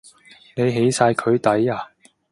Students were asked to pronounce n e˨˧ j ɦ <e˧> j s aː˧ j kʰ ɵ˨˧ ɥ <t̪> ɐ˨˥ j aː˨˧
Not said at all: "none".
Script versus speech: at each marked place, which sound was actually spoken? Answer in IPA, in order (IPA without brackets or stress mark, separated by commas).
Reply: e˨˥, t̪